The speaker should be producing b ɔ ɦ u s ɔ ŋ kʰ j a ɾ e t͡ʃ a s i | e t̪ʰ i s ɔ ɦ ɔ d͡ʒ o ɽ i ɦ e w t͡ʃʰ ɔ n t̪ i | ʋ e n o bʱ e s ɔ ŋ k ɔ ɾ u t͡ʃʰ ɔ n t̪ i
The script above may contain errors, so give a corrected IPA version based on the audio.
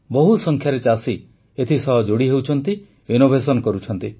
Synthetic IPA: b ɔ ɦ u s ɔ ŋ kʰ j a ɾ e t͡ʃ a s i | e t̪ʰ i s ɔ ɦ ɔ d͡ʒ o ɽ i ɦ e w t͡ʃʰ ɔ n t̪ i | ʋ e n o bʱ e s ɔ n k ɔ ɾ u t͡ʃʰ ɔ n t̪ i